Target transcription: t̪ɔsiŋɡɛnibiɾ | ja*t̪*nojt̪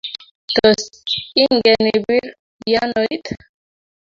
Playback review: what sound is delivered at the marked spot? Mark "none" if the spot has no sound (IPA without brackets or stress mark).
none